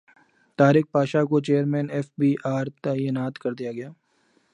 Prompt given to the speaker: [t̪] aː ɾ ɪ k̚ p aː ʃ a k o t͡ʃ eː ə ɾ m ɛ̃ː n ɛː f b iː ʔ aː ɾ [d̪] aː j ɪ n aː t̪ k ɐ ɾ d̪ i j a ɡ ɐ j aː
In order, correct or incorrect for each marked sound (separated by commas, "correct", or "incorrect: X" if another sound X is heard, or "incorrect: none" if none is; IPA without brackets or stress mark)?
correct, incorrect: t̪